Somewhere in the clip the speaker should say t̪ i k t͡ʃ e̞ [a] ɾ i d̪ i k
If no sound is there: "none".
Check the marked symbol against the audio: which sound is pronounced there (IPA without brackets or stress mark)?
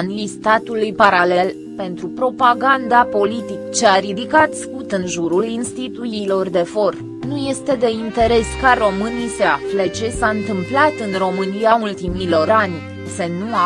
a